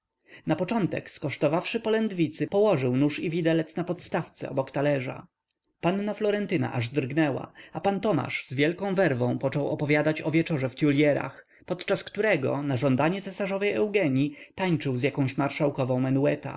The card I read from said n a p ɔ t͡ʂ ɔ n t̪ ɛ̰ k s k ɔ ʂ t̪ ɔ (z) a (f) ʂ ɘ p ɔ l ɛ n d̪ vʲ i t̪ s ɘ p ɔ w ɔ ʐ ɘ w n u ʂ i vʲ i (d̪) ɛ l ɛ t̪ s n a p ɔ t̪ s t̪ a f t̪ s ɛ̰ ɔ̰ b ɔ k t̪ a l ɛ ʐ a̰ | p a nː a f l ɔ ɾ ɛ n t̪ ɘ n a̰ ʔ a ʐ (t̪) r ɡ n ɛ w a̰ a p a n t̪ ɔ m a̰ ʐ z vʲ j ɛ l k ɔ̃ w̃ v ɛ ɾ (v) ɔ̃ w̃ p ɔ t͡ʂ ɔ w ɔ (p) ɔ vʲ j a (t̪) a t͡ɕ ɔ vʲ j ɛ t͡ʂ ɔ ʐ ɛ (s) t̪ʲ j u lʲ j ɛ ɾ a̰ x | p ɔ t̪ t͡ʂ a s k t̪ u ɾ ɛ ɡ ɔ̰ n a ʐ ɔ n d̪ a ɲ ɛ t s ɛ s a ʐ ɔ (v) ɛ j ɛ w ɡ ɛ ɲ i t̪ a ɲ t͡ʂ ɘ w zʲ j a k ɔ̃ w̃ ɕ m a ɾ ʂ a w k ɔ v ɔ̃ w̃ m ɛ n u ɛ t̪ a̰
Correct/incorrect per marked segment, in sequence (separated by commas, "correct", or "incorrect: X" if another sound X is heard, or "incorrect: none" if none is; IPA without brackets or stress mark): incorrect: v, correct, correct, incorrect: d̪, correct, correct, incorrect: d̪, incorrect: f, correct